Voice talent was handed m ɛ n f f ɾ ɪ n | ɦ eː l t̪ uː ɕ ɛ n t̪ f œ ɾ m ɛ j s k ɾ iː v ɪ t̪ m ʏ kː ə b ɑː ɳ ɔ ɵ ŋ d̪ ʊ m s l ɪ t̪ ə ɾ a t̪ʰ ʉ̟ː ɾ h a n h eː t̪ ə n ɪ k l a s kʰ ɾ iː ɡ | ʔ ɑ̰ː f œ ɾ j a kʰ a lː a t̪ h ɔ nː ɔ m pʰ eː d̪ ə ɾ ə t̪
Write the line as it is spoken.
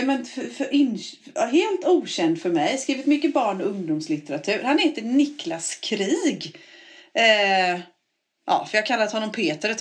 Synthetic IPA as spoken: m ɛ n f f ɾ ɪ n | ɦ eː l t̪ uː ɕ ɛ n d̪ f œ ɾ m ɛ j s k ɾ iː v ɪ t̪ m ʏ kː ə b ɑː ɳ ɔ ɵ ŋ d̪ ʊ m s l ɪ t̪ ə ɾ a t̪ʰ ʉ̟ː ɾ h a n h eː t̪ ə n ɪ k l a s kʰ ɾ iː ɡ | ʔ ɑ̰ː f œ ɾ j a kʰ a lː a t̪ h ɔ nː ɔ m pʰ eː t̪ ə ɾ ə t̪